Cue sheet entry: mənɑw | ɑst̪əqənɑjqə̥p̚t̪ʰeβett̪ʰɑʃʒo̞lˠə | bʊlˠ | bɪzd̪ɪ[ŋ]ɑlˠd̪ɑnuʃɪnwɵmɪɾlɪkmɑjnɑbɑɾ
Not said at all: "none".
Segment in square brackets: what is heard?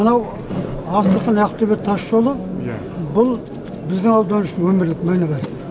ŋ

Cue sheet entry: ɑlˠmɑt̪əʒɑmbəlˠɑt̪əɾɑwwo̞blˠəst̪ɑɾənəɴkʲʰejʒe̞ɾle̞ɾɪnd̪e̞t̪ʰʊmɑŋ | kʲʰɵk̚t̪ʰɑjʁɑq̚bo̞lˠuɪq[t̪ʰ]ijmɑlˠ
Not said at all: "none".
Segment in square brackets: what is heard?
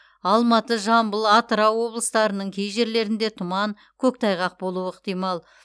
t̪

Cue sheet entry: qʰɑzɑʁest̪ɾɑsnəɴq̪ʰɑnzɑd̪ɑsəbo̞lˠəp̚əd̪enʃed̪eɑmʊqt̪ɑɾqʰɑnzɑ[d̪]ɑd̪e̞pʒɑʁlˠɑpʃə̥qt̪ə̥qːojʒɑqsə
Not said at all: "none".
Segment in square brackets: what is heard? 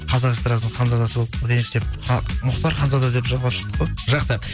d̪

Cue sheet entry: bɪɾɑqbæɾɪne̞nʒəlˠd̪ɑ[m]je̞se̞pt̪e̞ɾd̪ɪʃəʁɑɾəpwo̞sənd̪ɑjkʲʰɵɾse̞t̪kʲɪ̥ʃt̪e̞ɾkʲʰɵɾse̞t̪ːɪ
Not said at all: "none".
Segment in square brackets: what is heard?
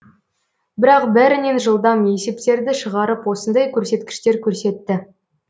m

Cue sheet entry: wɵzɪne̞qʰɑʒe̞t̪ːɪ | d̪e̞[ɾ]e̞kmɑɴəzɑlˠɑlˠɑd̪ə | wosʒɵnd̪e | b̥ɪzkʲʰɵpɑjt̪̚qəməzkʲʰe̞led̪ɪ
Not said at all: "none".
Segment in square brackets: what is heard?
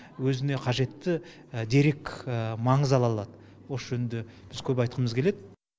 ɾ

